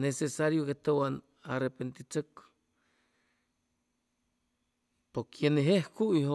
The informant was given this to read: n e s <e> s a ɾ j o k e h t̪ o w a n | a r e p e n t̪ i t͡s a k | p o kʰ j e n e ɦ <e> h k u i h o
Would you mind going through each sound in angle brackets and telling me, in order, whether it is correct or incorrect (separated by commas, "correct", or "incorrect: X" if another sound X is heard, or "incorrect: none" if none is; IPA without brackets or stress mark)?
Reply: correct, correct